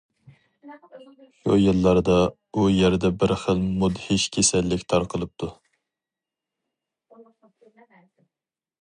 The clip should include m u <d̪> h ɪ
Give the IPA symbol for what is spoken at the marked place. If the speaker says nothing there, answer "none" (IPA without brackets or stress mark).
d̪